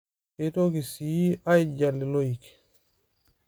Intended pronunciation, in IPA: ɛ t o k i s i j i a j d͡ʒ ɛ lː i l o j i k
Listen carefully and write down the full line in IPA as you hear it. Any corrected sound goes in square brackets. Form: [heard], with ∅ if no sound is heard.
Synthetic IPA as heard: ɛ t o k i s i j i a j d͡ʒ [a] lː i l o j i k

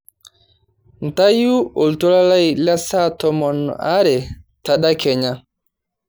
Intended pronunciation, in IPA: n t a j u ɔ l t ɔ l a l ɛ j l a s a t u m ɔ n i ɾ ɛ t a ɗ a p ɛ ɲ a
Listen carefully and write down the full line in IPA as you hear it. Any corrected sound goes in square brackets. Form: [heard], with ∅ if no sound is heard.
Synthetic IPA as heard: n t a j u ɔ l t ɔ l a l [a] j l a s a t [ɔ] m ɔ n [a] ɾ ɛ t a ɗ a [k] ɛ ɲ a

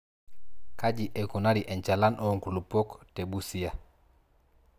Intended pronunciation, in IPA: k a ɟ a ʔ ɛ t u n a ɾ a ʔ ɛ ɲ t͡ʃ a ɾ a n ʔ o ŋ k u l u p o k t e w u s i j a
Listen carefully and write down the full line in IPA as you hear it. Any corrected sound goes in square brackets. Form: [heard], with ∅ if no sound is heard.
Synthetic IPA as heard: k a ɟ [i] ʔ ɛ [k] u n a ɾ [i] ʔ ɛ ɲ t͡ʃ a [l] a n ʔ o ŋ k u l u p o k t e [b] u s i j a

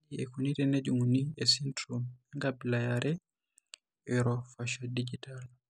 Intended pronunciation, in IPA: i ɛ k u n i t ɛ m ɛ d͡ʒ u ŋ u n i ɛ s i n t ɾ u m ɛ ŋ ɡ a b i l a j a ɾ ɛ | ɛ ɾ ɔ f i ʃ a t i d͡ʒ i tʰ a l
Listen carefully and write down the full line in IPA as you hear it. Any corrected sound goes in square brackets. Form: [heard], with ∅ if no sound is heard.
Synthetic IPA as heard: i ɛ k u n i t ɛ [n] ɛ d͡ʒ u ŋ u n i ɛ s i n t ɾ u m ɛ ŋ ɡ a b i l a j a ɾ ɛ | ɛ ɾ ɔ f [a] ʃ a [d] i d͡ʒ i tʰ a l

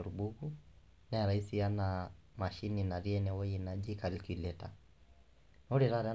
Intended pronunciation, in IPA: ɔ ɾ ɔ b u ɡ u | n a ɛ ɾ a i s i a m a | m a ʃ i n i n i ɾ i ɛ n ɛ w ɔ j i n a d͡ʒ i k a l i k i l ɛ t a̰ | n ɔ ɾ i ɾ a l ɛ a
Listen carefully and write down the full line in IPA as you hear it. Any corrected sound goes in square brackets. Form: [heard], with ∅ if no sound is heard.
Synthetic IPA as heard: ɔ ɾ [u] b u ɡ u | n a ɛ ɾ a i s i a [n] a | m a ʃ i n i n [a] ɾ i ɛ n ɛ w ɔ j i n a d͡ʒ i k a l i k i l ɛ t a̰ | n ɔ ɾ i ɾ a [ɾ] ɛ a

